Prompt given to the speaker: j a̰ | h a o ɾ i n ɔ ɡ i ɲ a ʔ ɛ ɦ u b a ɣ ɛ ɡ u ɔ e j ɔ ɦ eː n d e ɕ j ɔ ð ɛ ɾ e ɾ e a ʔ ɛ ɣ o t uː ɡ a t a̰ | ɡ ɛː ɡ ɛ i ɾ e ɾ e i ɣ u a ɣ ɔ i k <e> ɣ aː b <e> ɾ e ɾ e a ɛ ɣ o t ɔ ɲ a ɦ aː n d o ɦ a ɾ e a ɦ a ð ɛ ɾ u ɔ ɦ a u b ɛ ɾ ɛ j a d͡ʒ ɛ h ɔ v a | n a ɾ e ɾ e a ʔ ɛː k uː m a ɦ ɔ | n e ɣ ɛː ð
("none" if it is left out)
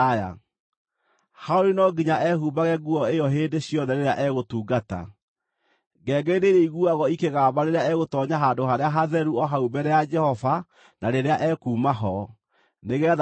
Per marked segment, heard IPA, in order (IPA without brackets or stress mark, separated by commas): e, a